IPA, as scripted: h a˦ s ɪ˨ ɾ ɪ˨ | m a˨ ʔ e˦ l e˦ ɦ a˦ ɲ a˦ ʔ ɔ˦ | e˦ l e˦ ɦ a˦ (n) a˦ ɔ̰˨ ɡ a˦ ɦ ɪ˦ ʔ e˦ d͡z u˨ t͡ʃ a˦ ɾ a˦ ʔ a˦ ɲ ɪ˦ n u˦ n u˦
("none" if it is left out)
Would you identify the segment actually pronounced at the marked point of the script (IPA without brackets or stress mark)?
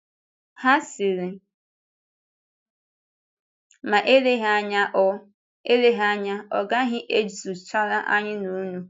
ɲ